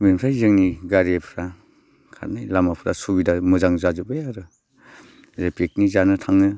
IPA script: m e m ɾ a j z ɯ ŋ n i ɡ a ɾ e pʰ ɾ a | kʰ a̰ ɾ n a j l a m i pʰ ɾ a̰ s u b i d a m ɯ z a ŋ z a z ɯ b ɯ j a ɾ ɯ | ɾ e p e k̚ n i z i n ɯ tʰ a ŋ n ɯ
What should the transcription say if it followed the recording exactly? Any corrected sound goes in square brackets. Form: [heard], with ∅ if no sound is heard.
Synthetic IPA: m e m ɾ a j z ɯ ŋ n i ɡ a ɾ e pʰ ɾ a | kʰ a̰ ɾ n a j l a m [a] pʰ ɾ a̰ s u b i d a m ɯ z a ŋ z a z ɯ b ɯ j a ɾ ɯ | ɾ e p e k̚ n i z [a] n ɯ tʰ a ŋ n ɯ